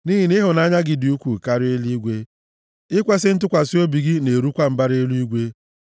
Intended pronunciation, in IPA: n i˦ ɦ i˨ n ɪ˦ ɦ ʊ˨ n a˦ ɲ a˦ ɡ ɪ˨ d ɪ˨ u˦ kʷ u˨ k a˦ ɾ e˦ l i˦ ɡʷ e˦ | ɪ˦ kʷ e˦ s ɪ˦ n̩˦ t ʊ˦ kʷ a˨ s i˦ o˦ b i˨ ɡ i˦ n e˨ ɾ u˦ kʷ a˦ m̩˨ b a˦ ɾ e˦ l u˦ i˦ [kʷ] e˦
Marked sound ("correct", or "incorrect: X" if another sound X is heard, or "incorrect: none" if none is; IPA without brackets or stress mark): incorrect: ɡʷ